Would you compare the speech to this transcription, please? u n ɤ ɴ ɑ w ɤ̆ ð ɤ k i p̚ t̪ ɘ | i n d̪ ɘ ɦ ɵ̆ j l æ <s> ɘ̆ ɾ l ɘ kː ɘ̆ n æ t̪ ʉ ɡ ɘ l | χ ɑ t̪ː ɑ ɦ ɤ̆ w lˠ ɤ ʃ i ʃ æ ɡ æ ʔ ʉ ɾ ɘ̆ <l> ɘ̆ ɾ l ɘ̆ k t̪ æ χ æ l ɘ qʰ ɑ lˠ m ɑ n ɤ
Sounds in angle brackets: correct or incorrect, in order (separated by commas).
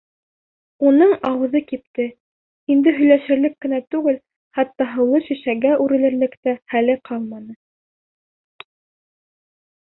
incorrect, correct